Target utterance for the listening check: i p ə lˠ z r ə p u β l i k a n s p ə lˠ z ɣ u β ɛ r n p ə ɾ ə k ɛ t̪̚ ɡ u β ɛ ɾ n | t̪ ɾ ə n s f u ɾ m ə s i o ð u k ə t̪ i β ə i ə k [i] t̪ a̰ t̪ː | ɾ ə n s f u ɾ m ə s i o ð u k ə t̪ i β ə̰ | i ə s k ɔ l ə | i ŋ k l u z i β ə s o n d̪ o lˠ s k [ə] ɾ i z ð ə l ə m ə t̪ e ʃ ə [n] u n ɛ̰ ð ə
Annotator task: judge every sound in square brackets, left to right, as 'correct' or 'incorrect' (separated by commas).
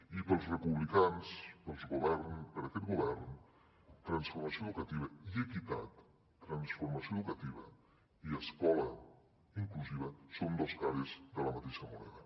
correct, incorrect, incorrect